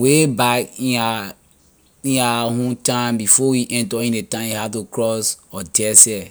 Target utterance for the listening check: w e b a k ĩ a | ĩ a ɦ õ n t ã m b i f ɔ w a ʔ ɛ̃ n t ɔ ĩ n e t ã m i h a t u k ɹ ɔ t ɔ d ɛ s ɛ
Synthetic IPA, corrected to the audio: w e b a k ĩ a | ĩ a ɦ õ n t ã m b i f ɔ w i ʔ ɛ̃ n t ɔ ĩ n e t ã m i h a t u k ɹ ɔ s ɔ d ɛ s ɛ